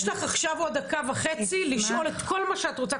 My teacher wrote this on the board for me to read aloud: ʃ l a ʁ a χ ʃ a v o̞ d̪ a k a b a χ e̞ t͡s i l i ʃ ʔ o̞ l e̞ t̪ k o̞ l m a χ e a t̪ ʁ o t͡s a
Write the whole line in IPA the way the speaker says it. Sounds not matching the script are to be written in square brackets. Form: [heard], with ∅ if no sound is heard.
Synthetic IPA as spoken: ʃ l a [χ] a χ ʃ a v o̞ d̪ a k a [v] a χ e̞ t͡s i l i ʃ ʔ o̞ l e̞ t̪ k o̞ l m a [ʃ] e a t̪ ʁ o t͡s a